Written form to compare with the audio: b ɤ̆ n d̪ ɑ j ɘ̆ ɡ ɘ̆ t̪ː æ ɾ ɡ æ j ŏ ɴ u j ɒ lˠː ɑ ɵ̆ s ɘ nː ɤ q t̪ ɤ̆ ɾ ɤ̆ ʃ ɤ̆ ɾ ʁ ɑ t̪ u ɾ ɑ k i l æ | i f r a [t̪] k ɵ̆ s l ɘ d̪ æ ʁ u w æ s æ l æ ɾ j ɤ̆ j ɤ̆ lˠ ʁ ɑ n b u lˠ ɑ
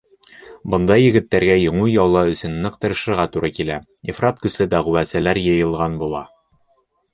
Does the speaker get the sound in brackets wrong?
no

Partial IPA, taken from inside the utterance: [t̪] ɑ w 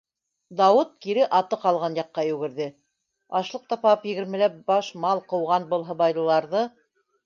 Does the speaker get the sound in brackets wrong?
yes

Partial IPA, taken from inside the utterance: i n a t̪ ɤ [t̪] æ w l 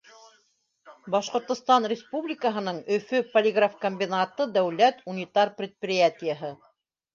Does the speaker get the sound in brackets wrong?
yes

